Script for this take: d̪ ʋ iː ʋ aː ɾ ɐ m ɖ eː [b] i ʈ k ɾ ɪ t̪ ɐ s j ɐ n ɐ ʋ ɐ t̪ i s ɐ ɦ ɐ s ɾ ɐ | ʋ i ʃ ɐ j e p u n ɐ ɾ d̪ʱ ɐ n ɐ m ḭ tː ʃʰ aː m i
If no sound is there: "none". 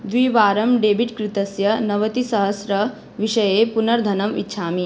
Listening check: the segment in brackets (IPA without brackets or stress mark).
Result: b